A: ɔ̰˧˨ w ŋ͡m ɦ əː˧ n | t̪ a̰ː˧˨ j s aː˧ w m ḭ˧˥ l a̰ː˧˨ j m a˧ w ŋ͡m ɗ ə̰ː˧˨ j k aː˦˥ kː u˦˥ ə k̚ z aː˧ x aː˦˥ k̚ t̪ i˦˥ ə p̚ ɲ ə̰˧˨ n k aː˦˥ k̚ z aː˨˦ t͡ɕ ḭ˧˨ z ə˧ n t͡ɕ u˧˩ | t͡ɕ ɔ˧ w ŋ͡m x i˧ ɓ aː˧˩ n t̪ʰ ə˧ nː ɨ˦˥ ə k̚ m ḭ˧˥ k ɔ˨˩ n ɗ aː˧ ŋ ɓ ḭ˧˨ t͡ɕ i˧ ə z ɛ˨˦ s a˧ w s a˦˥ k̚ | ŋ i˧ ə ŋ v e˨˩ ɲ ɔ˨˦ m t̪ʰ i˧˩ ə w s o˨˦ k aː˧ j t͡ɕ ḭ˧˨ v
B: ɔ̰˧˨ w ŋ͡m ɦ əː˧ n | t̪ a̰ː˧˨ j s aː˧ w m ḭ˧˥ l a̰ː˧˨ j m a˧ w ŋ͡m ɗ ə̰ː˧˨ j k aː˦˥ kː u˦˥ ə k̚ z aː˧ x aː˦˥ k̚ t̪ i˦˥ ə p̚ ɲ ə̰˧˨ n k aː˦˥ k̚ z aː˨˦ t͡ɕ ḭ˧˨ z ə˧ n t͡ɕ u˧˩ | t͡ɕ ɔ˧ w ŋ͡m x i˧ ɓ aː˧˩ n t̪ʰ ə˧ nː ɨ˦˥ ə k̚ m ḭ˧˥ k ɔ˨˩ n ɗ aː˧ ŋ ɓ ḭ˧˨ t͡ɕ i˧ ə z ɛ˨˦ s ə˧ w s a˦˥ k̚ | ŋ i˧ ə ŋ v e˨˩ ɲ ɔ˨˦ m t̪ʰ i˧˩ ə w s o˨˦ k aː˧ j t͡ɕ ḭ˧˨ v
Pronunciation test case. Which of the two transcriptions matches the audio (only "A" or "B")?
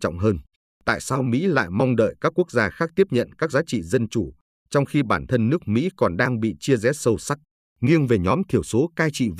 B